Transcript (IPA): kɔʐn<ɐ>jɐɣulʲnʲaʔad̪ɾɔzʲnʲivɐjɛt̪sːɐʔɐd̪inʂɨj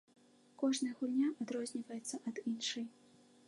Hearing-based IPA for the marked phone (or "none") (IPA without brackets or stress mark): ɐ